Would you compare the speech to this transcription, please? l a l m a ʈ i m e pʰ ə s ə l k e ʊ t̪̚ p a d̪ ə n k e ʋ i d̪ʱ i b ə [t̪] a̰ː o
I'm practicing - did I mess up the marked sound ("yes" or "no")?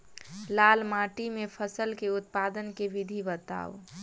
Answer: no